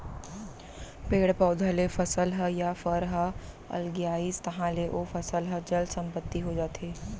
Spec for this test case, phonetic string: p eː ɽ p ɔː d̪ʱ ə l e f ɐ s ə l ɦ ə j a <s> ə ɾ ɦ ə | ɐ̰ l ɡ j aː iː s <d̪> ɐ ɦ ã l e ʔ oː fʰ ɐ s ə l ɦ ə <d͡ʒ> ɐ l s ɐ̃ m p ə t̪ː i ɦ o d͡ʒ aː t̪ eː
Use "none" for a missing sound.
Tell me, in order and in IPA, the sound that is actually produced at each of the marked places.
f, t̪, d͡ʒ

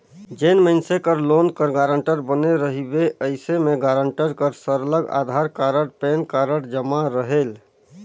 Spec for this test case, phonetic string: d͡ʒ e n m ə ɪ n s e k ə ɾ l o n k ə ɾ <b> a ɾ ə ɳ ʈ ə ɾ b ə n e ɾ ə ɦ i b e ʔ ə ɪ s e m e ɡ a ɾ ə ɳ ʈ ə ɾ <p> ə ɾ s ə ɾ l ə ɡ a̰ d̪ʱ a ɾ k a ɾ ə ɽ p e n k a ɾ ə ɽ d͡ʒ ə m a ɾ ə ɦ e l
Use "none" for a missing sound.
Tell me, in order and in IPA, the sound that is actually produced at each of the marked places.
ɡ, k

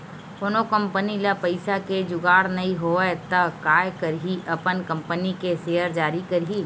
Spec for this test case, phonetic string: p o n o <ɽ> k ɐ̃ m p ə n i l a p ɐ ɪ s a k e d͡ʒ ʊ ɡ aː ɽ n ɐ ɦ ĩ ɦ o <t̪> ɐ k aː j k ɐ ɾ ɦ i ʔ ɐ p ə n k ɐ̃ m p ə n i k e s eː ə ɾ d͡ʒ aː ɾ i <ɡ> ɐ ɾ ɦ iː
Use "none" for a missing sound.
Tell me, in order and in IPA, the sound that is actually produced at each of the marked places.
none, t̪, k

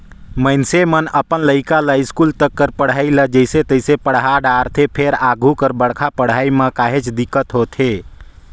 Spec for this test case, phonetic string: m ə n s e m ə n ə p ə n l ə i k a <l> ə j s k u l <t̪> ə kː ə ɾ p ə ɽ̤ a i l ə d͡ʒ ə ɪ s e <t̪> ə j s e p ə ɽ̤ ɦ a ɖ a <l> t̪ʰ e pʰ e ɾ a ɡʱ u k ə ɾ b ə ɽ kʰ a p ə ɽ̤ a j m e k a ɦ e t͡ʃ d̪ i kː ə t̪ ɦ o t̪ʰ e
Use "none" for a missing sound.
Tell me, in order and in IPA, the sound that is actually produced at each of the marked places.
l, t̪, t̪, ɾ

